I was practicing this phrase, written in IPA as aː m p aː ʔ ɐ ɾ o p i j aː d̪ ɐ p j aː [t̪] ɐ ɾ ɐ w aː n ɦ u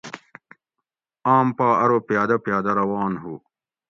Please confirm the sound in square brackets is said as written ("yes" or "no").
no